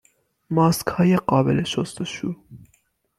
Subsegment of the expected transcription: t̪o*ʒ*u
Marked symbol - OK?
no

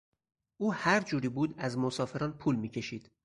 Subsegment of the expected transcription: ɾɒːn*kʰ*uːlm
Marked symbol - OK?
no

